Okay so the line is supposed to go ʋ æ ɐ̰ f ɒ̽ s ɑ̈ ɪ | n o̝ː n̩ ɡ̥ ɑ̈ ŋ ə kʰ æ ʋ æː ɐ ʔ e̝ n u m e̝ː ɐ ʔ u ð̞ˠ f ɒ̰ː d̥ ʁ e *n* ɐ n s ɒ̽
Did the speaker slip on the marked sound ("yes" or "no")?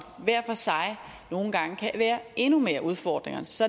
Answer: yes